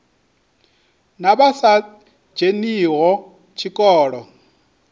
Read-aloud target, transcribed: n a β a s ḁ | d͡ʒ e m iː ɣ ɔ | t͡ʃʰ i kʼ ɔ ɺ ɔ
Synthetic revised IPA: n a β a s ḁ | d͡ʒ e n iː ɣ ɔ | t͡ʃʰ i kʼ ɔː ɺ ɔ